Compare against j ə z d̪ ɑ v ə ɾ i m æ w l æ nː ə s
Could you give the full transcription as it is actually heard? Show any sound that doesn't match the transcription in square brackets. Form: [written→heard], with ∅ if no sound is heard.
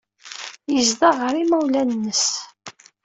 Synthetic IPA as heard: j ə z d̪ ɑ [v→ʁ] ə ɾ i m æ w l æ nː ə s